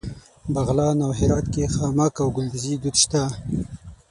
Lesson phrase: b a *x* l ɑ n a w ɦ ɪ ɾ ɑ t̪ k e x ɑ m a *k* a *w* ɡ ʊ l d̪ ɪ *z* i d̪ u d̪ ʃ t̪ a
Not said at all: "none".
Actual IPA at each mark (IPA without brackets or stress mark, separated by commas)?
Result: ɣ, k, w, z